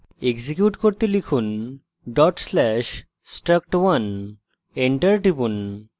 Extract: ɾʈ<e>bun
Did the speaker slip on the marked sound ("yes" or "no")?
yes